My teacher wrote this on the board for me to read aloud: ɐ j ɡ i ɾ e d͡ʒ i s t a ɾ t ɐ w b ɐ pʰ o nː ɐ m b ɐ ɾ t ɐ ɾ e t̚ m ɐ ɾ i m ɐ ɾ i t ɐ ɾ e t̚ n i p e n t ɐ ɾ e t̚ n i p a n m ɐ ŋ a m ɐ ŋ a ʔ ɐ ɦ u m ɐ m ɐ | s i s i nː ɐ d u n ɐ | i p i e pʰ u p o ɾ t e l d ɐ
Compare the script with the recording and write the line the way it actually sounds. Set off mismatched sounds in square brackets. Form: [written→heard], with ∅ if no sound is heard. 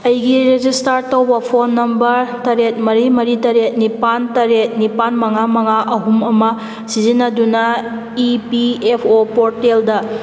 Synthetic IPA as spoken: ɐ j ɡ i ɾ e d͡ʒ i s t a ɾ t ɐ w b ɐ pʰ o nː ɐ m b ɐ ɾ t ɐ ɾ e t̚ m ɐ ɾ i m ɐ ɾ i t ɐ ɾ e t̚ n i p [e→a] n t ɐ ɾ e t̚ n i p a n m ɐ ŋ a m ɐ ŋ a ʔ ɐ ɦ u m ɐ m ɐ | s i [s→z] i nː ɐ d u n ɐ | i p i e pʰ [u→o] p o ɾ t e l d ɐ